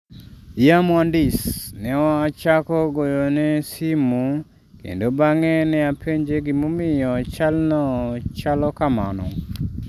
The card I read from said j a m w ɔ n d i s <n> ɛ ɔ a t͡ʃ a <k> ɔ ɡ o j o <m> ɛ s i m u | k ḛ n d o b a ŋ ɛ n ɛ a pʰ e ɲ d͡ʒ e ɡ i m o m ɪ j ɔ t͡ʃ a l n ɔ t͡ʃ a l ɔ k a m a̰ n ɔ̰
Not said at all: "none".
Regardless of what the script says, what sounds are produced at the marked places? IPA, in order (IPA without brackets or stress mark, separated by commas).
n, k, n